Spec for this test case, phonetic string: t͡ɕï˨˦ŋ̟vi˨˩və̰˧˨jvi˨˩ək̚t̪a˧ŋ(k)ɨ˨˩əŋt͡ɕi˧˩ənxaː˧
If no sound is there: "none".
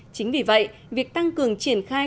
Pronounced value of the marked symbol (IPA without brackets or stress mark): k